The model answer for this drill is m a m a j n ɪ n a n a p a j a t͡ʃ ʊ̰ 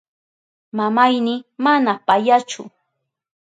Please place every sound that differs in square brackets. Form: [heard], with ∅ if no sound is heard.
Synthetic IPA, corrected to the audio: m a m a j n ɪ [m] a n a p a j a t͡ʃ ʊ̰